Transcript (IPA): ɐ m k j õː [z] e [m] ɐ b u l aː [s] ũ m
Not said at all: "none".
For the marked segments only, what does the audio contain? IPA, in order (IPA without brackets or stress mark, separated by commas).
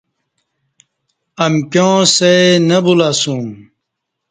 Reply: s, n, s